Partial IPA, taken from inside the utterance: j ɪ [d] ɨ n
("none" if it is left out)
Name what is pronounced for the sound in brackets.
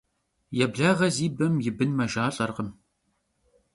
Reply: b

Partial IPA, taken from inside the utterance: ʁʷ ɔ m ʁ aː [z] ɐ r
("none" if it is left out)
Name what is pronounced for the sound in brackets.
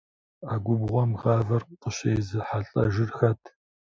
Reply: v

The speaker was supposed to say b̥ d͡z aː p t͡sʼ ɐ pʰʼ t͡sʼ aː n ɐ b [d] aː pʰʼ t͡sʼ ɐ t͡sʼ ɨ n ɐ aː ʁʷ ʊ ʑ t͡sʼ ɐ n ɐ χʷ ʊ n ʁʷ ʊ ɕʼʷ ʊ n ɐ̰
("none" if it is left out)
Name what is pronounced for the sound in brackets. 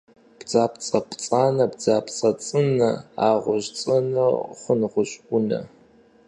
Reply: d͡z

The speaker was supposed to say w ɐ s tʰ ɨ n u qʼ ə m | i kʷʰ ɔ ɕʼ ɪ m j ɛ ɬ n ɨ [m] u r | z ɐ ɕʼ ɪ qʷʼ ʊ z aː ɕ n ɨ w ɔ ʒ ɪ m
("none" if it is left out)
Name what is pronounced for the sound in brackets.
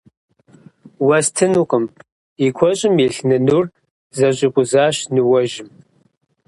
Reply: n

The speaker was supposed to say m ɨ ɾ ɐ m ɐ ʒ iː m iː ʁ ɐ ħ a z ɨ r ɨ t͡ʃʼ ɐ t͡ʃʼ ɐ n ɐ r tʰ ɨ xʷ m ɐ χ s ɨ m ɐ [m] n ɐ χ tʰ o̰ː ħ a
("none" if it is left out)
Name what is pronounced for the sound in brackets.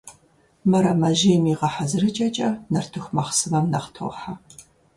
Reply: m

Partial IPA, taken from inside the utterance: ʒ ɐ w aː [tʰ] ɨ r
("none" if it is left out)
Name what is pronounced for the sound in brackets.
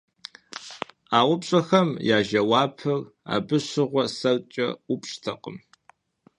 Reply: pʰ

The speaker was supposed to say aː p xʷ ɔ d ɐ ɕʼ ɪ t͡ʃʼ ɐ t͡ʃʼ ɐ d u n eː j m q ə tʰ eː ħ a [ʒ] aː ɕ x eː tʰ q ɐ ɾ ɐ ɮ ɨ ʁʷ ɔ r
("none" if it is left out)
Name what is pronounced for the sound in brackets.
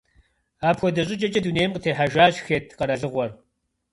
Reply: ʒ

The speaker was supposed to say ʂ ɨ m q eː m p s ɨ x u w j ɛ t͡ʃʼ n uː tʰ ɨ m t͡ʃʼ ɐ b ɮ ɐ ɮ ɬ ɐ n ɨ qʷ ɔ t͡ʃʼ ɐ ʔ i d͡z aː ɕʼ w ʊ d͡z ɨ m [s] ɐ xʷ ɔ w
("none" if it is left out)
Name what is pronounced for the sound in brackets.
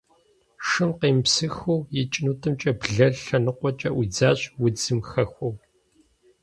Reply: x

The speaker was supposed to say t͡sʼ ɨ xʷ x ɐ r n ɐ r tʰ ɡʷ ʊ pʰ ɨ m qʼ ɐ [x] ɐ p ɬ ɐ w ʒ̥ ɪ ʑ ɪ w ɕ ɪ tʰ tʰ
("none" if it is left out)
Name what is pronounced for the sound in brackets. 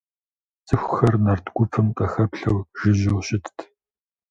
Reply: x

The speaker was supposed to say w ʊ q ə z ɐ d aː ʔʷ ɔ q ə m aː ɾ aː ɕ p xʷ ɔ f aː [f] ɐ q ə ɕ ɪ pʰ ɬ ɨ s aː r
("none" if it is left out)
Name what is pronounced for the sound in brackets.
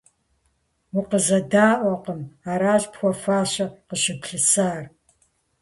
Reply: ɕ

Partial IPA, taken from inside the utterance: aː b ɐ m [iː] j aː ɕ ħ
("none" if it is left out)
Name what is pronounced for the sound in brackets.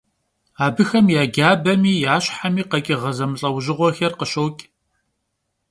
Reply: iː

